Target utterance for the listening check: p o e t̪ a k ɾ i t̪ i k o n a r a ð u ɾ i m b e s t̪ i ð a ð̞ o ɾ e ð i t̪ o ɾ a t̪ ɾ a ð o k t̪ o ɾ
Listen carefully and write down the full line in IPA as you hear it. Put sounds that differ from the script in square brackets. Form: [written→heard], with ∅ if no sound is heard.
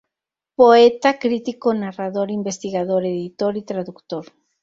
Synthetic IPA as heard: p o e t̪ a k ɾ i t̪ i k o n a r a ð [u→o] ɾ i m b e s t̪ i [ð→ɣ] a ð̞ o ɾ e ð i t̪ o ɾ [a→i] t̪ ɾ a ð [o→u] k t̪ o ɾ